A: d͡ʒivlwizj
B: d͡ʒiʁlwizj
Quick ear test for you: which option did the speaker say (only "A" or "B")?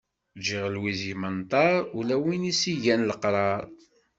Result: B